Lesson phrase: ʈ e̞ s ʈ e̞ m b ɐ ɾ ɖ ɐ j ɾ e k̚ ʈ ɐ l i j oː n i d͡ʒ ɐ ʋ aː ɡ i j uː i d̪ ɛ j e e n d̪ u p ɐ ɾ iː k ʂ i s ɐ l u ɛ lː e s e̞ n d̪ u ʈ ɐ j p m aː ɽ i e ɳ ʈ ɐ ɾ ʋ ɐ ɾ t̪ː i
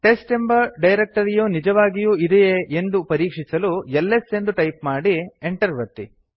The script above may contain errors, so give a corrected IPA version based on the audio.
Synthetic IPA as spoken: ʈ e̞ s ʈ e̞ m b ɐ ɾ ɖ ɐ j ɾ e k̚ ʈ ɐ ɾ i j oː n i d͡ʒ ɐ ʋ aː ɡ i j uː i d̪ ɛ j e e n d̪ u p ɐ ɾ iː k ʂ i s ɐ l u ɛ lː e s e̞ n d̪ u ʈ ɐ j p m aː ɽ i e ɳ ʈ ɐ ɾ ʋ ɐ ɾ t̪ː i